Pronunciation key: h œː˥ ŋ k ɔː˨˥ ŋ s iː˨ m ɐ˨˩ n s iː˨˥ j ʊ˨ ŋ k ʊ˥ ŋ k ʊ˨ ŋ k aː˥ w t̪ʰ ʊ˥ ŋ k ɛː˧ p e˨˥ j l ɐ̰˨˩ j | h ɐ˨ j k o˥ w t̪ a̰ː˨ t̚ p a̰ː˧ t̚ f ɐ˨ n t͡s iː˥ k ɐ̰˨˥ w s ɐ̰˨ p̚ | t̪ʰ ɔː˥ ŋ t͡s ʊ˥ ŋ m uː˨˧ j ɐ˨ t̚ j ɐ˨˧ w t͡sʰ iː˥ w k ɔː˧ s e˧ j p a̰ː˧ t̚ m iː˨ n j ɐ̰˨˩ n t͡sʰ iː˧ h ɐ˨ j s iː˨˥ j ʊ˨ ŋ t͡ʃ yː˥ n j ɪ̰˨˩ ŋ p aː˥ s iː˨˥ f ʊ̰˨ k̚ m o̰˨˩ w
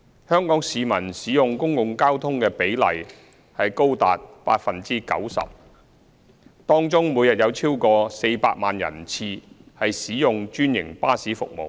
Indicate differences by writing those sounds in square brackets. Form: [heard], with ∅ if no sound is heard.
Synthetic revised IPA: h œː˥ ŋ k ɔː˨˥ ŋ s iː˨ m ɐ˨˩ n s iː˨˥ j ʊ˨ ŋ k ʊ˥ ŋ k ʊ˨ ŋ k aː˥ w t̪ʰ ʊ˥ ŋ k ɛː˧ p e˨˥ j l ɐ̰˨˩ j | h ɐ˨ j k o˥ w t̪ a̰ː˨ t̚ p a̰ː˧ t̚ f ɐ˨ n t͡s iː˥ k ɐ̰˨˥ w s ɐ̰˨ p̚ | [t̪] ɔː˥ ŋ t͡s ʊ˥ ŋ m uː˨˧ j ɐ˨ t̚ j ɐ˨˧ w t͡sʰ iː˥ w k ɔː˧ s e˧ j p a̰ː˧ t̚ m [aː˨] n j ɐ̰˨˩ n t͡sʰ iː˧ h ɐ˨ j s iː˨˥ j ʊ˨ ŋ t͡ʃ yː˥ n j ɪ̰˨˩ ŋ p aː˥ s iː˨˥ f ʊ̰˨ k̚ m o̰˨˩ w